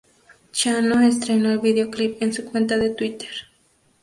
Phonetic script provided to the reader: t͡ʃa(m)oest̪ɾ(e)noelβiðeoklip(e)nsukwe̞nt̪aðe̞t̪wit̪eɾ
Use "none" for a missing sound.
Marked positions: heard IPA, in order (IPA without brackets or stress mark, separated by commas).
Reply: n, e, e